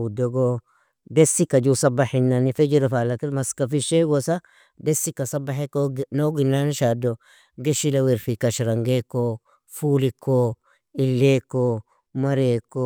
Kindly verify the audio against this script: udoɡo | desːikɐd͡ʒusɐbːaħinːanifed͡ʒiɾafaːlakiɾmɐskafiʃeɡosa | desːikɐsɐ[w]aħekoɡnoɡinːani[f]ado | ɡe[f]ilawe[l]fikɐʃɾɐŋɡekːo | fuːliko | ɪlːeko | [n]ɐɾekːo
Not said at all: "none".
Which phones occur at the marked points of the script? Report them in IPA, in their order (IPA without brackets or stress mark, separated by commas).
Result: b, ʃ, ʃ, ɾ, m